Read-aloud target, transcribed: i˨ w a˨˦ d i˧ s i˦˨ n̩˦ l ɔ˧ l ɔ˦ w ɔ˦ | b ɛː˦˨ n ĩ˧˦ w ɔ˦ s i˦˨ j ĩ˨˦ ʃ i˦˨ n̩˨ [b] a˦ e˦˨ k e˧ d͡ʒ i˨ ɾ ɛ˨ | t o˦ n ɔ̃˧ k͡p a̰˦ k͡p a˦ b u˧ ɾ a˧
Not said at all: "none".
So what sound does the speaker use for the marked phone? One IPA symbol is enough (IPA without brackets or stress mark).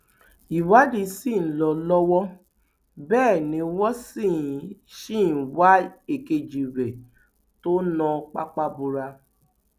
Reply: w